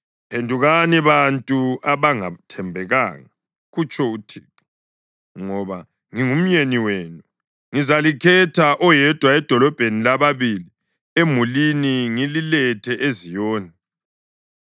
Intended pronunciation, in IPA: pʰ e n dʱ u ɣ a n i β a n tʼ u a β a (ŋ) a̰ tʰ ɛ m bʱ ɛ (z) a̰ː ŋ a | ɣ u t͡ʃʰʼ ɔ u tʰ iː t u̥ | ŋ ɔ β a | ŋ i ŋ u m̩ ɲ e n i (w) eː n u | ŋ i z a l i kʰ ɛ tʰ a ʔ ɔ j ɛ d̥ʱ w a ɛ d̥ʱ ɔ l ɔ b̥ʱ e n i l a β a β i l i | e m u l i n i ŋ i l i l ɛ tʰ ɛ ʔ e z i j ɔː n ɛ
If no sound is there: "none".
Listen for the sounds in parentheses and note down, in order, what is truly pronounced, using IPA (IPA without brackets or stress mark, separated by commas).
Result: ŋ, ɣ, w